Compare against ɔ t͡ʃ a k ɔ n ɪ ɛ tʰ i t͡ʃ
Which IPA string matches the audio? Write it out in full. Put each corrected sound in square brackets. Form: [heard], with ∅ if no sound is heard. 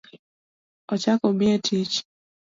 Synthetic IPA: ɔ t͡ʃ a k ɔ [m] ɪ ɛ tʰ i t͡ʃ